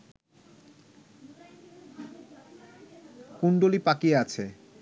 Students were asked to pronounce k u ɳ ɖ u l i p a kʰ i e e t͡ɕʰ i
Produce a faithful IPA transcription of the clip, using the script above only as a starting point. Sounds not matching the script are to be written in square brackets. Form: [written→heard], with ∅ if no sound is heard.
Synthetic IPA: k u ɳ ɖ [u→o] l i p a [kʰ→k] i e [e→a] t͡ɕʰ [i→e]